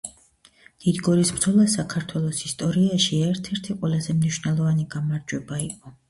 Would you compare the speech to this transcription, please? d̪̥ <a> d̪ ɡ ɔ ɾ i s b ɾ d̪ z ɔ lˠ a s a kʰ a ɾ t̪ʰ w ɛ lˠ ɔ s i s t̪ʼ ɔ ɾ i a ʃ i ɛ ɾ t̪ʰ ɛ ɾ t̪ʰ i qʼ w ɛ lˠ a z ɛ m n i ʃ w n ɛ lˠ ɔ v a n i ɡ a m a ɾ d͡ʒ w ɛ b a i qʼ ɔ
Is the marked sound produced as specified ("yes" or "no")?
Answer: no